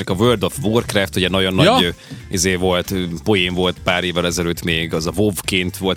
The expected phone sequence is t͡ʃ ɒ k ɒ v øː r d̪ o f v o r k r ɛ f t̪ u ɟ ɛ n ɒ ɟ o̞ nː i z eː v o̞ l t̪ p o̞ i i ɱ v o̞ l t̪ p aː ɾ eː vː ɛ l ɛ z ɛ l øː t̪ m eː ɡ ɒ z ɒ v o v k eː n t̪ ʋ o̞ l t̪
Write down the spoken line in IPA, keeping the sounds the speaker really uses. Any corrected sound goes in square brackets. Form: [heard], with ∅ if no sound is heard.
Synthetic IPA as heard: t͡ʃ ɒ k ɒ v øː r d̪ o f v o r k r ɛ f t̪ u ɟ ɛ n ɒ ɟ o̞ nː i z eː v o̞ l t̪ p o̞ [j] i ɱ v o̞ l t̪ p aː ɾ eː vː ɛ l ɛ z ɛ l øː t̪ m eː ɡ ɒ z ɒ v o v k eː n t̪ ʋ o̞ l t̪